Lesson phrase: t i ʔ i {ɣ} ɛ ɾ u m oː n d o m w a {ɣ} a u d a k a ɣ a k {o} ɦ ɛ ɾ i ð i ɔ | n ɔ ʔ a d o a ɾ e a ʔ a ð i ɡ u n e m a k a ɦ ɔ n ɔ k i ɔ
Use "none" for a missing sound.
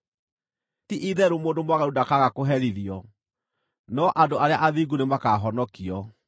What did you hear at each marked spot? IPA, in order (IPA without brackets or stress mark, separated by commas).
ð, ɣ, o